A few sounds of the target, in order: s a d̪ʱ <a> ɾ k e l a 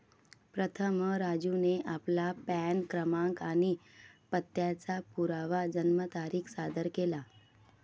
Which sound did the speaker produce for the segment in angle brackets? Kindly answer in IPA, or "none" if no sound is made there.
ə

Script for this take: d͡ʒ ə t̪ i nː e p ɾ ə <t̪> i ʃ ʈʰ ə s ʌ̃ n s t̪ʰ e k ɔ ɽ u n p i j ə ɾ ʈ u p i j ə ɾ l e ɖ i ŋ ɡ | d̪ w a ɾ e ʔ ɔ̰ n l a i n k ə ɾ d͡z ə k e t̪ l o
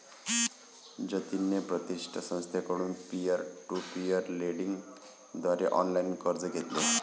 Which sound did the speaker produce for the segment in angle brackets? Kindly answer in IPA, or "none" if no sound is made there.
t̪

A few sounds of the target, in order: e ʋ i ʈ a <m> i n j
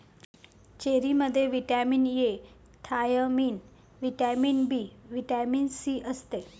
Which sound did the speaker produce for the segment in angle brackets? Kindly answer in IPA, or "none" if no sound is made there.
m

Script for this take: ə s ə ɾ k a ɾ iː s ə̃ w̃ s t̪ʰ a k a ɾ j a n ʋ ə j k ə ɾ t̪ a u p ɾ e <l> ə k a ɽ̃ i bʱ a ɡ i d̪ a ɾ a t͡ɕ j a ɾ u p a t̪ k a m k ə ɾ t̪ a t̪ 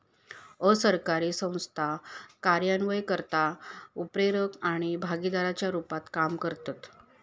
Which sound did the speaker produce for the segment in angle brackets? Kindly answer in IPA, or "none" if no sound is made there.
ɾ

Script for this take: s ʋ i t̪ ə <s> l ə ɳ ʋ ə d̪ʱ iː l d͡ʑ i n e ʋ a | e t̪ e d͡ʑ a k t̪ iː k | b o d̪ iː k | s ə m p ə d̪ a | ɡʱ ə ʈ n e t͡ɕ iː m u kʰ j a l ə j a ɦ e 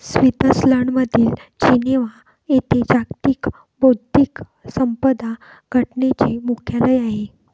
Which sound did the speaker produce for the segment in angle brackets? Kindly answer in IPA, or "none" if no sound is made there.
s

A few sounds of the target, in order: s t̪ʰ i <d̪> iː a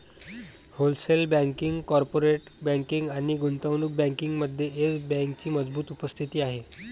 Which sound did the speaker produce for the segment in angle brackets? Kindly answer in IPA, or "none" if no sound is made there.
t̪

